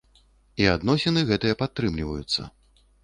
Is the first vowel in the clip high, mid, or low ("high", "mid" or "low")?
high